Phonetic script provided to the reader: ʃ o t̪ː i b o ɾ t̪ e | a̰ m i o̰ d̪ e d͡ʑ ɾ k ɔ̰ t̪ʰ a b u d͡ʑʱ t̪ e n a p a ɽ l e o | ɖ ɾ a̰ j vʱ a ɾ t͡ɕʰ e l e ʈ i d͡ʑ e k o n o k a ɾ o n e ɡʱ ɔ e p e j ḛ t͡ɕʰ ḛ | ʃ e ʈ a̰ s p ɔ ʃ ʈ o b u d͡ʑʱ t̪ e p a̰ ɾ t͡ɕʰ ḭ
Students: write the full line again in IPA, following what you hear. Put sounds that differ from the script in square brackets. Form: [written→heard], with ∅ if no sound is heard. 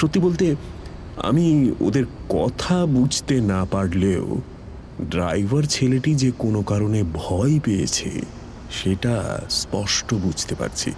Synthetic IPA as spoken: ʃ o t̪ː i b o [ɾ→l] t̪ e | a̰ m i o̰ d̪ e [d͡ʑ→∅] ɾ k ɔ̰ t̪ʰ a b u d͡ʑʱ t̪ e n a p a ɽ l e o | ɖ ɾ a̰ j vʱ a ɾ t͡ɕʰ e l e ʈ i d͡ʑ e k o n o k a ɾ o n e [ɡʱ→bʱ] ɔ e p e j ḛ t͡ɕʰ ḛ | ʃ e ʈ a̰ s p ɔ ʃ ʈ o b u d͡ʑʱ t̪ e p a̰ ɾ t͡ɕʰ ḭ